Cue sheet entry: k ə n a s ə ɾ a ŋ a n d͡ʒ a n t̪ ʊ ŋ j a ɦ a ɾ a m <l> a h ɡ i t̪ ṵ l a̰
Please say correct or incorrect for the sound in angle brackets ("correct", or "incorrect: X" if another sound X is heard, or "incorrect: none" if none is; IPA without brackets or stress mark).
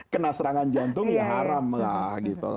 correct